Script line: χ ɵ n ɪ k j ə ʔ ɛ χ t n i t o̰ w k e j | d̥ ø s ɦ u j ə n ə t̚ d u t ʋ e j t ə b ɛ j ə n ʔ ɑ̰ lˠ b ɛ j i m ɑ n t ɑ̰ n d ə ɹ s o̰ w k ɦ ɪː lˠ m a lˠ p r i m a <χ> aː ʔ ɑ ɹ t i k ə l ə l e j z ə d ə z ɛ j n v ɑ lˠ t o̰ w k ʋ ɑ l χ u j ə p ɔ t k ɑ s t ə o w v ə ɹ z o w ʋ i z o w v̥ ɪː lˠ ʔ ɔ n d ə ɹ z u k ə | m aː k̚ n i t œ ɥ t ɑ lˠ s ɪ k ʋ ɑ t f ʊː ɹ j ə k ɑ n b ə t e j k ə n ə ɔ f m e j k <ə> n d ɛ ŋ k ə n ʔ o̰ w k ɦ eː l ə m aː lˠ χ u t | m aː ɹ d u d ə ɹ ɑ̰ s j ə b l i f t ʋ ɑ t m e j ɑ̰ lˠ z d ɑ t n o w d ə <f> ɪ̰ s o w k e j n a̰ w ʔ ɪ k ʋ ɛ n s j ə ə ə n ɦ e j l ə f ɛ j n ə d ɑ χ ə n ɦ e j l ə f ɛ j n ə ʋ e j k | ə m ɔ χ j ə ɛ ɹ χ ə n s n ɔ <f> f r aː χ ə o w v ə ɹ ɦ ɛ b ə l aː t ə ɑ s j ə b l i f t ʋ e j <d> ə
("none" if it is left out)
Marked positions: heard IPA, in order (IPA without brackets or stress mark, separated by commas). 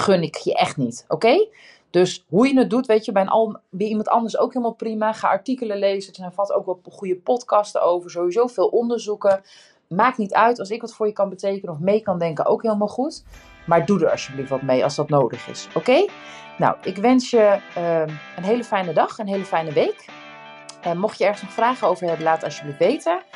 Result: χ, ɑ, χ, χ, t